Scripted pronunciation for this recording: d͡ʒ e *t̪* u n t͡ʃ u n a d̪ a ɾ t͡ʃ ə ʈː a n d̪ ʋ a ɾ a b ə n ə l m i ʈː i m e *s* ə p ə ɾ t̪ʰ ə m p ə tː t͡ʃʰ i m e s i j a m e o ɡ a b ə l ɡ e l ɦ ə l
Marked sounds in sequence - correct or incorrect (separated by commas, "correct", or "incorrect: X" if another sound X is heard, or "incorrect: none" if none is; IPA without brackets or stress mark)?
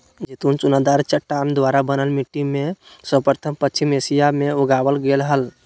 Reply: correct, correct